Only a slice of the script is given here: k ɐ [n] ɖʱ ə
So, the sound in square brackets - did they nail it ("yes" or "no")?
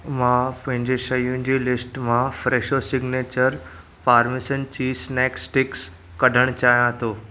no